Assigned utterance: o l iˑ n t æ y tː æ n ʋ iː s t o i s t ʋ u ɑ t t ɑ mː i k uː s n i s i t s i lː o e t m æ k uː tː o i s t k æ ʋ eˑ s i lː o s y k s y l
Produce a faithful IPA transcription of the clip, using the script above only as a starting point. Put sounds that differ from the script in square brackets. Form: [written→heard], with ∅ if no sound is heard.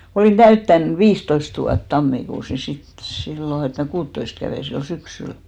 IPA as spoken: o l iˑ n t æ y tː æ n ʋ iː s t o i s t ʋ u ɑ t t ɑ mː i k uː s n i s i t s i lː o e t m æ k uː tː o i s t k æ ʋ eˑ s i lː o s y k s y l